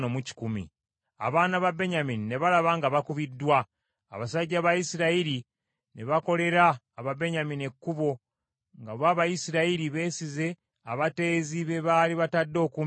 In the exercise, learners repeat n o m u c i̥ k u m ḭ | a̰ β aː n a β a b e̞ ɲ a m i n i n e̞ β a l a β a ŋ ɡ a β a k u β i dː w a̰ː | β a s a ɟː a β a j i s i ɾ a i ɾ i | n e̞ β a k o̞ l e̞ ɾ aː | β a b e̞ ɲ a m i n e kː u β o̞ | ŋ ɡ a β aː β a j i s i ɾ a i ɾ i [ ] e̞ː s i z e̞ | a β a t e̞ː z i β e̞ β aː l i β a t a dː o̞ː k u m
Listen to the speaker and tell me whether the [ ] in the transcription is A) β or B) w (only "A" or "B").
A